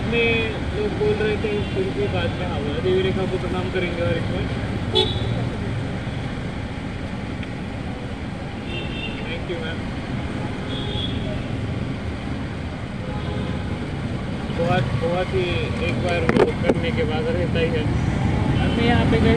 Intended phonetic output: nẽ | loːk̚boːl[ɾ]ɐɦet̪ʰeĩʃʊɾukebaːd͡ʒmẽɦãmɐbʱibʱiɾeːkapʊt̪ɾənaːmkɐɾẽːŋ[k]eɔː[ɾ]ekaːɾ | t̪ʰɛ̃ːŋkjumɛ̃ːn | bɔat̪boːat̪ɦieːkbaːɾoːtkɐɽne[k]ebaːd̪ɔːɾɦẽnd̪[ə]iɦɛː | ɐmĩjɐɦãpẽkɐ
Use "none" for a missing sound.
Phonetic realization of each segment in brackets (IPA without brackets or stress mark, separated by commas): ɾ, ɡ, ɾ, k, a